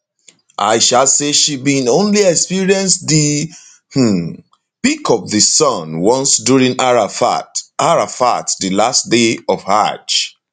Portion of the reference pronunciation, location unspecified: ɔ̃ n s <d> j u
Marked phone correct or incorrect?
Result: correct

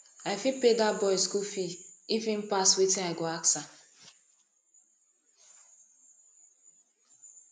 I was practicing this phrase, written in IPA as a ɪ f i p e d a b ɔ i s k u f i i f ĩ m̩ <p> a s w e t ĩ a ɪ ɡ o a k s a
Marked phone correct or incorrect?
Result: correct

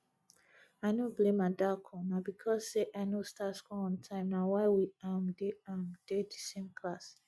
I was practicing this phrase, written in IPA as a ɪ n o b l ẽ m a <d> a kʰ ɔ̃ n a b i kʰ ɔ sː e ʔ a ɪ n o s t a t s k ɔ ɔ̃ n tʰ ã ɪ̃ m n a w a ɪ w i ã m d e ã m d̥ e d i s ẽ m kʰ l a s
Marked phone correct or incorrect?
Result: correct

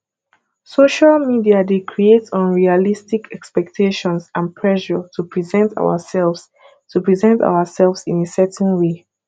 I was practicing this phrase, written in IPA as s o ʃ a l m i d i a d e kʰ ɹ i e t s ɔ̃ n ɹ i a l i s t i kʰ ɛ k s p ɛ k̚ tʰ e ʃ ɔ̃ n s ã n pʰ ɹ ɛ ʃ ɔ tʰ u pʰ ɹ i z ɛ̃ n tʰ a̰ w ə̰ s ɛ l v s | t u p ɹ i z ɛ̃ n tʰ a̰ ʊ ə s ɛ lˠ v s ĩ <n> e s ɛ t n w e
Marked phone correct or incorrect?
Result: correct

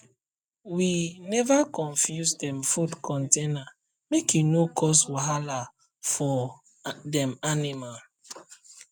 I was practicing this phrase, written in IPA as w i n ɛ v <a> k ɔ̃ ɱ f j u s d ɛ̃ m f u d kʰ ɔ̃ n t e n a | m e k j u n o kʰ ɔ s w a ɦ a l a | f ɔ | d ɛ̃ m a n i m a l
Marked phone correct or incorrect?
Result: correct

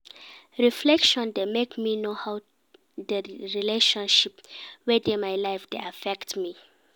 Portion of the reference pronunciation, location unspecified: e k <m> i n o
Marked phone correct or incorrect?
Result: correct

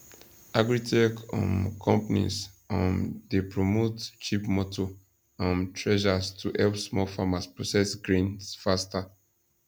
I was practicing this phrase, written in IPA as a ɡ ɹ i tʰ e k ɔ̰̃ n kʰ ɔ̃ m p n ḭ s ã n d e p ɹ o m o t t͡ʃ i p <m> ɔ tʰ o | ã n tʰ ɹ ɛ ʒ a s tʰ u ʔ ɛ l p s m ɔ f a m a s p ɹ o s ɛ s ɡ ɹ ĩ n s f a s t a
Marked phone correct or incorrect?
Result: correct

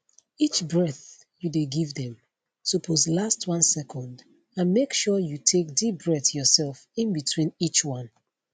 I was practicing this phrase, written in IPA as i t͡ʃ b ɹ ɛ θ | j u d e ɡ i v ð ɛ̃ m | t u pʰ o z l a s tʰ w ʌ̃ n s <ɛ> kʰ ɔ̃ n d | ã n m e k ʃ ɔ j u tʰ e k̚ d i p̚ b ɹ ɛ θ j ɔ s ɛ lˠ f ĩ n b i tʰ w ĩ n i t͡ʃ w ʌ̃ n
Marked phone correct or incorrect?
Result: correct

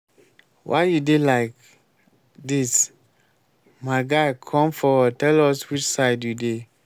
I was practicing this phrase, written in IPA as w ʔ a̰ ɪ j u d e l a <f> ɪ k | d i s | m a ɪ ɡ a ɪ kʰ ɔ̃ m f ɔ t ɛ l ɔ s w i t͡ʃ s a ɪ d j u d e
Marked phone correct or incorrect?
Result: incorrect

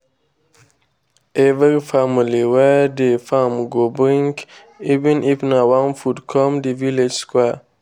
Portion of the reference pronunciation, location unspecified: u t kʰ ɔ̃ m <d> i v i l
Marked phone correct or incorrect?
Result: correct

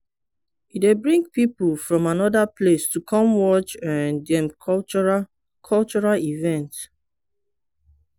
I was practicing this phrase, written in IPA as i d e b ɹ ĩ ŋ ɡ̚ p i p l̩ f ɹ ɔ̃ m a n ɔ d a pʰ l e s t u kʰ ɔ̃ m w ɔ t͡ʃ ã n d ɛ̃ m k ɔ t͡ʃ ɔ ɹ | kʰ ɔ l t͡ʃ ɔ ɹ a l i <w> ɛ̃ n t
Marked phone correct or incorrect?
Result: incorrect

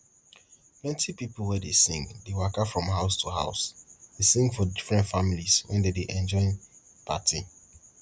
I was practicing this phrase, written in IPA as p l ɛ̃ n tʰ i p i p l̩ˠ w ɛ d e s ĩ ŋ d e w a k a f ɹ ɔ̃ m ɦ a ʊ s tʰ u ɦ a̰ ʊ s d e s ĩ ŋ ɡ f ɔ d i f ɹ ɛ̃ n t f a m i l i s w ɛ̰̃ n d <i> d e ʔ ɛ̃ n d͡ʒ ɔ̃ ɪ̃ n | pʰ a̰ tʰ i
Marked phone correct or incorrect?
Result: incorrect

